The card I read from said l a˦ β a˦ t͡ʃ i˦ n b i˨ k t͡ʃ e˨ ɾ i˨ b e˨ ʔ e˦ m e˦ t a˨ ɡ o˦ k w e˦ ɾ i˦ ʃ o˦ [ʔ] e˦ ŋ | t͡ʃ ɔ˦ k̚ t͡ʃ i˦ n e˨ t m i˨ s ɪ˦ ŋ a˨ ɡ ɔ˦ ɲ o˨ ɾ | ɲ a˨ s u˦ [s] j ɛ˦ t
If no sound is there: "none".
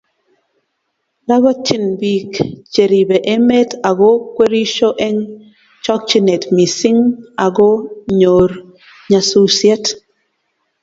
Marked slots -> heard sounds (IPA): ʔ, s

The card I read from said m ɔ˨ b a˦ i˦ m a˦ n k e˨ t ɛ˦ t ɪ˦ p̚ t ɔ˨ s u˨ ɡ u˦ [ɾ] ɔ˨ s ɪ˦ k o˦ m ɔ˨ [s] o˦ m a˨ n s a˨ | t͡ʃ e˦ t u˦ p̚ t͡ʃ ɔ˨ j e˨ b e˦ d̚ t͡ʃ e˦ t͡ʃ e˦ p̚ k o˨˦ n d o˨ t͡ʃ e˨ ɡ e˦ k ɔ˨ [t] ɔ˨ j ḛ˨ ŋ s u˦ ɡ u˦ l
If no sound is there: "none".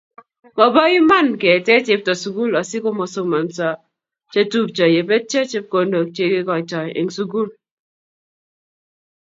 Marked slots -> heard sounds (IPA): l, s, t͡ʃ

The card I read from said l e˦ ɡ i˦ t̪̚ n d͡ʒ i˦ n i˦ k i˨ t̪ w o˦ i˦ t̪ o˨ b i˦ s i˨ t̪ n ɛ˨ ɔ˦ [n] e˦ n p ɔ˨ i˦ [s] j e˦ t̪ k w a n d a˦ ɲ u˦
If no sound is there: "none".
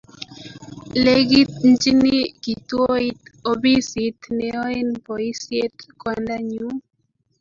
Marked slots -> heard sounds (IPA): none, s

